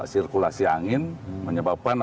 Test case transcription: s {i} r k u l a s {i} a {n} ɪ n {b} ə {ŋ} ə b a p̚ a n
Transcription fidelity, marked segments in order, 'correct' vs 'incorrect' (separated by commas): correct, correct, incorrect, incorrect, incorrect